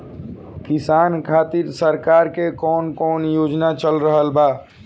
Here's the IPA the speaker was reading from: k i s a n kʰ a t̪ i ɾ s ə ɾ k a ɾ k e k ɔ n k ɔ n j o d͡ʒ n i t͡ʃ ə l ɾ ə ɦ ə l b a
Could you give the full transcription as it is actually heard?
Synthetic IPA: k i s a n kʰ a t̪ i ɾ s ə ɾ k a ɾ k e k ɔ n k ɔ n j o d͡ʒ n a t͡ʃ ə l ɾ ə ɦ ə l b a

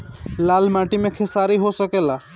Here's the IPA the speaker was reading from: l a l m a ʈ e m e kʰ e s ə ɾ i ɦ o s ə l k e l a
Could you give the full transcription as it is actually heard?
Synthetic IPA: l a l m a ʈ i m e kʰ e s a ɾ i ɦ o s ə k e l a

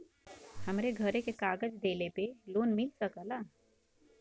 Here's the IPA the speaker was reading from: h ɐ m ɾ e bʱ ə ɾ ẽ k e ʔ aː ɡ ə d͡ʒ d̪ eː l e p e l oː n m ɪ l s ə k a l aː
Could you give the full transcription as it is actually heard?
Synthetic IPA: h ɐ m ɾ e ɡʱ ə ɾ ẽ k e k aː ɡ ə d͡ʒ d̪ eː l e p e l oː n m ɪ l s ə k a l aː

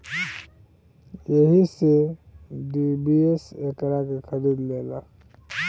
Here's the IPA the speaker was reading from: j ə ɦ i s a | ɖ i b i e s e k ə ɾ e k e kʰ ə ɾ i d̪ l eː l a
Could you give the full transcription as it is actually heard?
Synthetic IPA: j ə ɦ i s e | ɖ i b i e s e k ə ɾ a k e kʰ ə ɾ i d̪ l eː l a

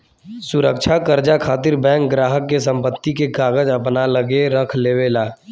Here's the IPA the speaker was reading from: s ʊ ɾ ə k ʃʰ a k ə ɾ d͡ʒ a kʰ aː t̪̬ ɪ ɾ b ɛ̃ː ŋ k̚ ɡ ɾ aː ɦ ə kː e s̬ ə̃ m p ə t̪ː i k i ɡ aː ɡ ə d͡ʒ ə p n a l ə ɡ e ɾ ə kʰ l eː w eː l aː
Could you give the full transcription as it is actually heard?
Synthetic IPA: s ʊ ɾ ə k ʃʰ a k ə ɾ d͡ʒ a kʰ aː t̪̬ ɪ ɾ b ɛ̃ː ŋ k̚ ɡ ɾ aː ɦ ə kː e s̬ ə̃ m p ə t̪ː i k e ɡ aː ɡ ə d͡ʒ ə p n a l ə ɡ e ɾ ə kʰ l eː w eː l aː

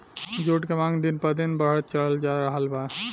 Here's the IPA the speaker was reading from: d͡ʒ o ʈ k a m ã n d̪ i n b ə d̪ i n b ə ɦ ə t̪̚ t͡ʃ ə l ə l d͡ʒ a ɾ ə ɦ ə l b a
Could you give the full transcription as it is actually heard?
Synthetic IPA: d͡ʒ o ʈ k e m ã ŋ d̪ i n p ə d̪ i n b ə ɦ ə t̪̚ t͡ʃ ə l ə l d͡ʒ a ɾ ə ɦ ə l b a

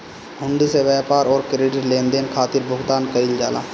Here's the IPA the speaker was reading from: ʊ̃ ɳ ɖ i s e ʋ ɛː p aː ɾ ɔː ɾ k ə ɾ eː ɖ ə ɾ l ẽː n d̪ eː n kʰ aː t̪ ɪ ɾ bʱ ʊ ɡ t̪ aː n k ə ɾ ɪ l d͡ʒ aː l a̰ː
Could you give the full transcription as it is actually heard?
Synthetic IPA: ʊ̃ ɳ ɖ i s e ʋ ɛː p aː ɾ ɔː ɾ k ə ɾ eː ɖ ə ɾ l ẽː n d̪ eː n kʰ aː t̪ ɪ ɾ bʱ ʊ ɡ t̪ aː n k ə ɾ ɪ l d͡ʒ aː l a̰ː

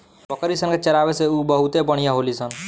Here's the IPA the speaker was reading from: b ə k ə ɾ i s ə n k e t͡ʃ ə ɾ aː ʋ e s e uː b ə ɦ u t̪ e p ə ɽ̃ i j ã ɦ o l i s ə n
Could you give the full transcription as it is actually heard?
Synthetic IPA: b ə k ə ɾ i s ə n k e t͡ʃ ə ɾ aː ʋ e s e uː b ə ɦ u t̪ e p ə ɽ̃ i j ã ɦ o l i s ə n

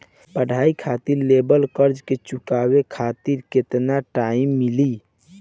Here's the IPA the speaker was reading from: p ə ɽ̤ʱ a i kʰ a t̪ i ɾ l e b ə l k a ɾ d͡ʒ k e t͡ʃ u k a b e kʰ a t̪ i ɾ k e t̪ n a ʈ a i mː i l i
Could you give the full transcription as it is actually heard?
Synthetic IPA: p ə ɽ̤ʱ a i kʰ a t̪ i ɾ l e b ə l k ə ɾ d͡ʒ k e t͡ʃ u k a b e kʰ a t̪ i ɾ k e t̪ n a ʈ a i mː i l i

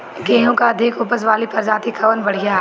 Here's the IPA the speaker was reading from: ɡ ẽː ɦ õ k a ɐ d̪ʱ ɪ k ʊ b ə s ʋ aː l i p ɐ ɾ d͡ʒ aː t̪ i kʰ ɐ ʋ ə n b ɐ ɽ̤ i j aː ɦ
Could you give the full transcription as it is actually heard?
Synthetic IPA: ɡ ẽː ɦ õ k a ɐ d̪ʱ ɪ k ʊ p ə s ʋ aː l i p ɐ ɾ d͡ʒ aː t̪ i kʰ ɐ ʋ ə n b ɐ ɽ̤ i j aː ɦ

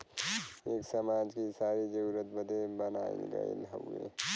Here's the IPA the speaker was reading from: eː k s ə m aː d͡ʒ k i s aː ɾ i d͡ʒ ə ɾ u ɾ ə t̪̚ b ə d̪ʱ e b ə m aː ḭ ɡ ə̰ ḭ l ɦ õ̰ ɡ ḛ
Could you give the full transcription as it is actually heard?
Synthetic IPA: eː k s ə m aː d͡ʒ k i s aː ɾ i d͡ʒ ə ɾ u ɾ ə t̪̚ b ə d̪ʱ e b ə n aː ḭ ɡ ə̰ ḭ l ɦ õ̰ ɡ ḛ

